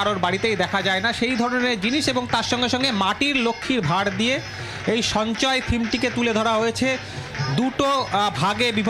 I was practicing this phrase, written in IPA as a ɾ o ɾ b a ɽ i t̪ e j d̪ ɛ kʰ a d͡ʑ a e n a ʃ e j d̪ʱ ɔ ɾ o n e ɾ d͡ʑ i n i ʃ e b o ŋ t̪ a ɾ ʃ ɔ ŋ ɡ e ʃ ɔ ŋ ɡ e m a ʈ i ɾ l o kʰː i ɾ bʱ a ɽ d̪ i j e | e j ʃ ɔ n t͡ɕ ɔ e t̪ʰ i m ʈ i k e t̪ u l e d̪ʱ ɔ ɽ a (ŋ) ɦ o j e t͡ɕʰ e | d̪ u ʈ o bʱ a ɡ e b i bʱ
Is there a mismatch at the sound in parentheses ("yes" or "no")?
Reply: yes